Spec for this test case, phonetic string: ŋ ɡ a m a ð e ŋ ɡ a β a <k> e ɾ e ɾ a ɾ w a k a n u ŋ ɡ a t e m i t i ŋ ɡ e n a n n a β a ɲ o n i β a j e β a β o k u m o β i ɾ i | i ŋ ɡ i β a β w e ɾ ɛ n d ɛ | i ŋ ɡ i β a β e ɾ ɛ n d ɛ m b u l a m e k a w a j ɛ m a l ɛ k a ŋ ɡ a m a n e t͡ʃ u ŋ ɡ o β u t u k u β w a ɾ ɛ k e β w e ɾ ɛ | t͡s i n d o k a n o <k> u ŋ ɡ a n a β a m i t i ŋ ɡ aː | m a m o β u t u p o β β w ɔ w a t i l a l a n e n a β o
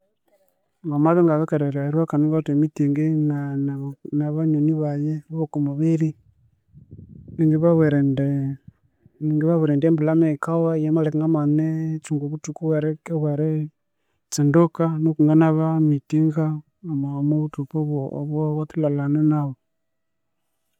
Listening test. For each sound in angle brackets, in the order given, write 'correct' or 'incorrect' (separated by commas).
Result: correct, correct